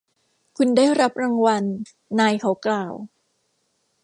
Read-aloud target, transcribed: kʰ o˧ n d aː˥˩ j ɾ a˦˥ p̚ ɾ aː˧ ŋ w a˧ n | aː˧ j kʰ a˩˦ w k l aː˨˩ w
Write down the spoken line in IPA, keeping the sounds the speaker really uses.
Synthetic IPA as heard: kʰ u˧ n d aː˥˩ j ɾ a˦˥ p̚ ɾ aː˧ ŋ w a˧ nː | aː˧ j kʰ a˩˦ w k l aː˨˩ w

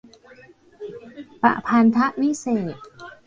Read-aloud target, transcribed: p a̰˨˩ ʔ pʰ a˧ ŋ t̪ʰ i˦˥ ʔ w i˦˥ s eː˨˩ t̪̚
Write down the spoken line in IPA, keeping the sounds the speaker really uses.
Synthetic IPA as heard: p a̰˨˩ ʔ pʰ a˧ n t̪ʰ a˦˥ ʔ w i˦˥ s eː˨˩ t̪̚

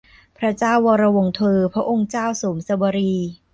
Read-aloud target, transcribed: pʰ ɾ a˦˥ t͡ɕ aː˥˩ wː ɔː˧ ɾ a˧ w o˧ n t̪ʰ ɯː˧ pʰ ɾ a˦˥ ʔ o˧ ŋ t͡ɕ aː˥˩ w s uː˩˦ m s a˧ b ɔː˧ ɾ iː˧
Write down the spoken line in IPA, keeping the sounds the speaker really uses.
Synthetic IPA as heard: pʰ ɾ a˦˥ t͡ɕ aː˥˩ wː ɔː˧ ɾ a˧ w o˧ ŋ t̪ʰ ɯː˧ pʰ ɾ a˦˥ ʔ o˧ ŋ t͡ɕ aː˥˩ w s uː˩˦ m s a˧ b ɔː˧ ɾ iː˧

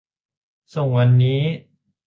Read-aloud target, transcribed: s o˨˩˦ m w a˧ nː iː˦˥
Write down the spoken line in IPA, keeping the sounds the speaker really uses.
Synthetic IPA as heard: s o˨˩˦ ŋ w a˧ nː iː˦˥

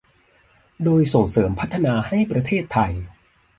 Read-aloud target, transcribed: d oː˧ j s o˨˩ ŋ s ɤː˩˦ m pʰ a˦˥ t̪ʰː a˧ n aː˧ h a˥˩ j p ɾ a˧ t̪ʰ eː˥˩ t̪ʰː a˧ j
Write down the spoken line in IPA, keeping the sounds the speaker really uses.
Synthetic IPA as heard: d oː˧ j s o˨˩ ŋ s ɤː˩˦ m pʰ a˦˥ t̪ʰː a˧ n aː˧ h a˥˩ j p ɾ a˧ t̪ʰ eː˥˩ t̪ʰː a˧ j

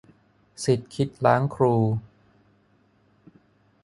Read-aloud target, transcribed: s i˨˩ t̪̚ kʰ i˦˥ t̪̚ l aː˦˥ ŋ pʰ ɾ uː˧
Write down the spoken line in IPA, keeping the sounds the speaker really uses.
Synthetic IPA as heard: s i˨˩ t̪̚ kʰ i˦˥ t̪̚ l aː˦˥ ŋ kʰ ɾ uː˧

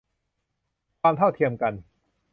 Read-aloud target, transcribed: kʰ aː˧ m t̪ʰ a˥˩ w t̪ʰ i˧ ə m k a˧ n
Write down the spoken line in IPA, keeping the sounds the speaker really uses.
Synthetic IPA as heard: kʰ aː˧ m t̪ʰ a˥˩ w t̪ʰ i˧ ə m k a˧ n

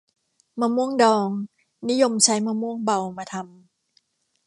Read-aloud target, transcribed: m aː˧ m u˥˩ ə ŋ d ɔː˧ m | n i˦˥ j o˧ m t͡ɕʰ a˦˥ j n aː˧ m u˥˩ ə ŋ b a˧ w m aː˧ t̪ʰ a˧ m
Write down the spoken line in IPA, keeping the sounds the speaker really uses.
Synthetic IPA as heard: m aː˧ m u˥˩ ə ŋ d ɔː˧ ŋ | n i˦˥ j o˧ m t͡ɕʰ a˦˥ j m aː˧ m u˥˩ ə ŋ b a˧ w m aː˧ t̪ʰ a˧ m

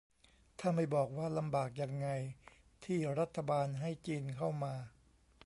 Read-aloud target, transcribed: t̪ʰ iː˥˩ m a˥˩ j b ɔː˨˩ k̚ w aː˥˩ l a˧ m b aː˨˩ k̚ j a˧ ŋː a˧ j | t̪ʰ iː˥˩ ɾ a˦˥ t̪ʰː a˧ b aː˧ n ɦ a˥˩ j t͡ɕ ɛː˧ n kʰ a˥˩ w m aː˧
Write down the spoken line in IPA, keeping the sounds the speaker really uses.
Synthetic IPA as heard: t̪ʰ aː˥˩ m a˥˩ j b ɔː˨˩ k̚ w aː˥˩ l a˧ m b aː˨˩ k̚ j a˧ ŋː a˧ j | t̪ʰ iː˥˩ ɾ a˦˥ t̪ʰː a˧ b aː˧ n ɦ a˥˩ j t͡ɕ iː˧ n kʰ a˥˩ w m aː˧

